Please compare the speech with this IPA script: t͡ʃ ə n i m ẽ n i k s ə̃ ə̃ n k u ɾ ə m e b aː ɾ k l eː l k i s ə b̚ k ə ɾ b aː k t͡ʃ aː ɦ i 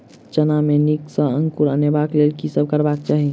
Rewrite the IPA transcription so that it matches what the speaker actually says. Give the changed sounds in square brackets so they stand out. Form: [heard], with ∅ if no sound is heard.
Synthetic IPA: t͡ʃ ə n [a] m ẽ n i k s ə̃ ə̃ [ŋ] k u ɾ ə [n] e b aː [∅] k l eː l k i s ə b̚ k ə ɾ b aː k t͡ʃ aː ɦ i